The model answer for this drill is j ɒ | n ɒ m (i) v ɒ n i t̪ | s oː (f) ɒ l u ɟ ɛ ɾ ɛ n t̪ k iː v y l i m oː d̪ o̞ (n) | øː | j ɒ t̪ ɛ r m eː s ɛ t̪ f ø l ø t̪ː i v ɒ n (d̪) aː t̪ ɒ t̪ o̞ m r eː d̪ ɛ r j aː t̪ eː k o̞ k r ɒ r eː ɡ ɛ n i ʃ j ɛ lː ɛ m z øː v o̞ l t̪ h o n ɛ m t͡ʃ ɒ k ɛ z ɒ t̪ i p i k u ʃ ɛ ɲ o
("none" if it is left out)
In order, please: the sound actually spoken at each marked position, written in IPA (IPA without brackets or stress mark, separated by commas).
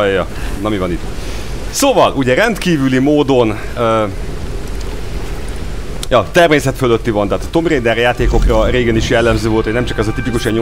i, v, n, t̪